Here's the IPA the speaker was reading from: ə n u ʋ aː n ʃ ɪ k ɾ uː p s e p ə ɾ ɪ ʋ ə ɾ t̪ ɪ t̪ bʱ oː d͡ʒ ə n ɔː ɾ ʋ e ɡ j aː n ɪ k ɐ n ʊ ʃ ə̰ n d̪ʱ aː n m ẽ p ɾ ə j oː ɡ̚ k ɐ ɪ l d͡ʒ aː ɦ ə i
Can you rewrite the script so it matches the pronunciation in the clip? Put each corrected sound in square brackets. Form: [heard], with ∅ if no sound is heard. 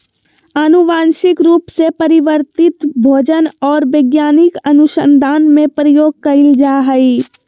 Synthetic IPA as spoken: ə n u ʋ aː n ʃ ɪ k ɾ uː p s e p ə ɾ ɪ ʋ ə ɾ t̪ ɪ t̪ bʱ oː d͡ʒ ə n ɔː ɾ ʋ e ɡ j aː n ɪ k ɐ n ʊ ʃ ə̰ n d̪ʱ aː n m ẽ p ɾ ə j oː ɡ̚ k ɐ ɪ l d͡ʒ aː ɦ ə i

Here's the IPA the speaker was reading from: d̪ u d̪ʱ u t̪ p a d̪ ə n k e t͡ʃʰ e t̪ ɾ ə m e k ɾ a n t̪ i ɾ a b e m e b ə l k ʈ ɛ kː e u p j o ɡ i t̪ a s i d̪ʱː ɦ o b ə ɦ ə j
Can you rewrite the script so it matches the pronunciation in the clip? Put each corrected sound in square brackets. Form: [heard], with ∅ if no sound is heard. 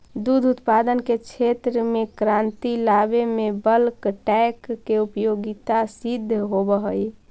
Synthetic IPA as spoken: d̪ u d̪ʱ u t̪ p a d̪ ə n k e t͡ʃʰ e t̪ ɾ ə m e k ɾ a n t̪ i [l] a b e m e b ə l k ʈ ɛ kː e u p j o ɡ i t̪ a s i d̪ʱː ɦ o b ə ɦ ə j

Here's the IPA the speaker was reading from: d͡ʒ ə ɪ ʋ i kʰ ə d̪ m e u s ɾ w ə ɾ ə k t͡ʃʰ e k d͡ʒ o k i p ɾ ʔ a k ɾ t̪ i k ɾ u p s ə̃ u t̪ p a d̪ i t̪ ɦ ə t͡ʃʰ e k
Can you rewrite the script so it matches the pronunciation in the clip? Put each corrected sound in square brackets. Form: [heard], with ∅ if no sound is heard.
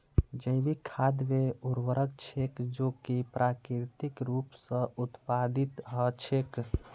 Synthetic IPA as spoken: d͡ʒ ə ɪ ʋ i kʰ [a] d̪ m e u [∅] ɾ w ə ɾ ə k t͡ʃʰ e k d͡ʒ o k i p ɾ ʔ a k ɾ t̪ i k ɾ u p s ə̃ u t̪ p a d̪ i t̪ ɦ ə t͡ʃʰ e k

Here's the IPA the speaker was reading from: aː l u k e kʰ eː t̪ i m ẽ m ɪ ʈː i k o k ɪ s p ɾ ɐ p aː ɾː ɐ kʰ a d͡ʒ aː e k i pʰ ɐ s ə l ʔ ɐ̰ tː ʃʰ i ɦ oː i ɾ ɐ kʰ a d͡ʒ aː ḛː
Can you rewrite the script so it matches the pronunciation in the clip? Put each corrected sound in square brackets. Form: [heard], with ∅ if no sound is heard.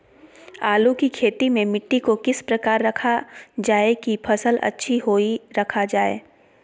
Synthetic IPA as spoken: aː l u k [i] kʰ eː t̪ i m ẽ m ɪ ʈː i k o k ɪ s p ɾ ɐ [k] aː ɾː ɐ kʰ a d͡ʒ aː e k i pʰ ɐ s ə l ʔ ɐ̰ tː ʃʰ i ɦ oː i ɾ ɐ kʰ a d͡ʒ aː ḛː

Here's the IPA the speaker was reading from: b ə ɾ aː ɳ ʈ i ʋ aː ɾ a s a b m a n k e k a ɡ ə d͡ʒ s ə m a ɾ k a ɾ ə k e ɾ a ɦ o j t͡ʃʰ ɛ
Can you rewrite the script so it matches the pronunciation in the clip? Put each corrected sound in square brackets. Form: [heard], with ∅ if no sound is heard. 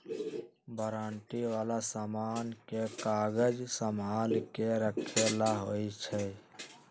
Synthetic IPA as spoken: b ə ɾ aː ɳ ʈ i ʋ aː [l] a s a [∅] m a n k e k a ɡ ə d͡ʒ s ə m a [l] k [e] ɾ ə [kʰ] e [l] a ɦ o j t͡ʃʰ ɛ

